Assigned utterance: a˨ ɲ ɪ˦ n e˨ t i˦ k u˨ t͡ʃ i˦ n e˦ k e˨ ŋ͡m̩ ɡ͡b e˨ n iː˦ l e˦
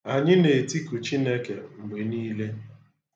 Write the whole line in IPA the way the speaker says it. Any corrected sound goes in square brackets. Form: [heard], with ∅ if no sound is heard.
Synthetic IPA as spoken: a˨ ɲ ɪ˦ n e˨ t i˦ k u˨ t͡ʃ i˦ n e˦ k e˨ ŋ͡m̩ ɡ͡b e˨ n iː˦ l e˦